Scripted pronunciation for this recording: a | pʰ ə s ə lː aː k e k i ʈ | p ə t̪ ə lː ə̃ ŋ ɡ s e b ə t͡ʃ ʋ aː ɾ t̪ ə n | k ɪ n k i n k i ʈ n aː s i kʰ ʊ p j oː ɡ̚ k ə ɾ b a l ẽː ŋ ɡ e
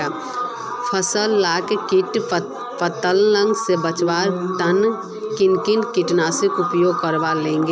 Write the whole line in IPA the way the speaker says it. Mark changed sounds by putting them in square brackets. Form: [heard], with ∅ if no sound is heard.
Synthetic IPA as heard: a | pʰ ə s ə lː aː k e k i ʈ | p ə t̪ ə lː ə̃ ŋ ɡ s e b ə t͡ʃ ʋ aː ɾ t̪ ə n | k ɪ n k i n k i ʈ n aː s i [k] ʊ p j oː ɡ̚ k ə ɾ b a l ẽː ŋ ɡ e